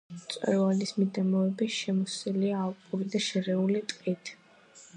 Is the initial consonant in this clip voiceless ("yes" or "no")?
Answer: yes